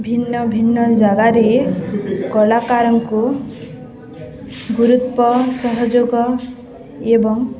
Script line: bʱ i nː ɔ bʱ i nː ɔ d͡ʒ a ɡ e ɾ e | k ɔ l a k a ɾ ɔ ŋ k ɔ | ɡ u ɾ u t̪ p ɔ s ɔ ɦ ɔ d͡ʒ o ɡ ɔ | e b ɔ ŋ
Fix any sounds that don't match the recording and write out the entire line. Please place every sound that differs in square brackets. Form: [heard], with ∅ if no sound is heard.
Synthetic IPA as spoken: bʱ i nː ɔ bʱ i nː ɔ d͡ʒ a ɡ [a] ɾ e | k ɔ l a k a ɾ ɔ ŋ k [u] | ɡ u ɾ u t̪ p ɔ s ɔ ɦ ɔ d͡ʒ o ɡ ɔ | e b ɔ ŋ